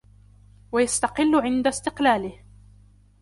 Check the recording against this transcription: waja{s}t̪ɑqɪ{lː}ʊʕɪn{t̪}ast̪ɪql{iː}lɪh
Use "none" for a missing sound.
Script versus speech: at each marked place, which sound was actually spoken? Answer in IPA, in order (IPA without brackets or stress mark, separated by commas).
s, lː, d̪, aː